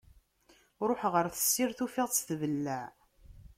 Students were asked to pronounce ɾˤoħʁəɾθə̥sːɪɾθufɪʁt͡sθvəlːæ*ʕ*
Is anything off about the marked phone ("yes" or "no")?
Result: no